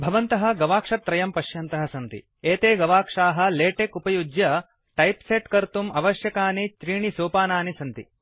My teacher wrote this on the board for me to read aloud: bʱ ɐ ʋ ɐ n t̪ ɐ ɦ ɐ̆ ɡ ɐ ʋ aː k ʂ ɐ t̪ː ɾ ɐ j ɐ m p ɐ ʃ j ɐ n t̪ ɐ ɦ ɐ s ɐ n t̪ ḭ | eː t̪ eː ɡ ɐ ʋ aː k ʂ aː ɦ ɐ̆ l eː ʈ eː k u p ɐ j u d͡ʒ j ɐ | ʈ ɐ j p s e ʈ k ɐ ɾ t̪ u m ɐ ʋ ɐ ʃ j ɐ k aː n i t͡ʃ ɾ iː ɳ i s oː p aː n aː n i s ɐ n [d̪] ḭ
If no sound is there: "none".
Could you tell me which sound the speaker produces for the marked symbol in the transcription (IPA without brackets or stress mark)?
t̪